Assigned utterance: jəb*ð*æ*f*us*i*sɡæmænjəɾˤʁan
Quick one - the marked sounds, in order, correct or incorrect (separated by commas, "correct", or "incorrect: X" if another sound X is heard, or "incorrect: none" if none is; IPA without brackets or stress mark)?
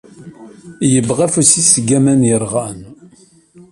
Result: incorrect: ʁ, correct, correct